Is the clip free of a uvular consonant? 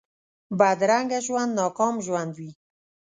yes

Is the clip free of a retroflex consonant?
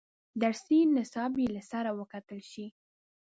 yes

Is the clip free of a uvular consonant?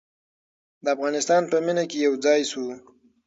yes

